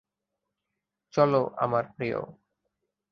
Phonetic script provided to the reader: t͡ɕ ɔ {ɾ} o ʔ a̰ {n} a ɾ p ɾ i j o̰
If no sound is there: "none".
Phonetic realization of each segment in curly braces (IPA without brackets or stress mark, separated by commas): l, m